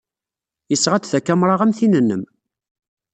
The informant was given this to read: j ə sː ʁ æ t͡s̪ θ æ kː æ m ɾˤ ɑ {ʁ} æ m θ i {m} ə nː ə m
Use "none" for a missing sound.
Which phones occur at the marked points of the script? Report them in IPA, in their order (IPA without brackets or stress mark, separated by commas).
ʁ, n